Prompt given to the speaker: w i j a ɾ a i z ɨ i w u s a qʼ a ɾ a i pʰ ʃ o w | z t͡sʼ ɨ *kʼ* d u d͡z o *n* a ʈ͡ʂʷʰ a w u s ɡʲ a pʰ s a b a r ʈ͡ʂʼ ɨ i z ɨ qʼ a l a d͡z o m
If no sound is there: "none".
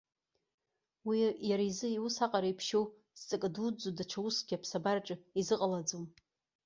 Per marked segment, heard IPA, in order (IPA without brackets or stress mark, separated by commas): kʼ, d